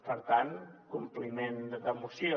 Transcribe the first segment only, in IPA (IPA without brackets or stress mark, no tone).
p